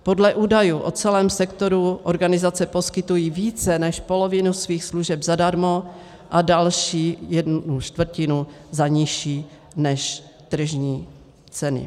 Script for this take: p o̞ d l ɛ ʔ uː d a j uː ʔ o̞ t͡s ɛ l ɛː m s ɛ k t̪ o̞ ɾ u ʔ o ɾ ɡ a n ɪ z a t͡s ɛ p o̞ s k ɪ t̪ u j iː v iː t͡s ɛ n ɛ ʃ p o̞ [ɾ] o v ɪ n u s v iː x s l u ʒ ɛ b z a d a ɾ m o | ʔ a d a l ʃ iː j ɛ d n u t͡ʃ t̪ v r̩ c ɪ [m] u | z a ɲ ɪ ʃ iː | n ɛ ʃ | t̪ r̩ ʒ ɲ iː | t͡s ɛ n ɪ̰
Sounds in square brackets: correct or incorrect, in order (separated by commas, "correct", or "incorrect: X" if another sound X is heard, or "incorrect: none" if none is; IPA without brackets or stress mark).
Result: incorrect: l, incorrect: n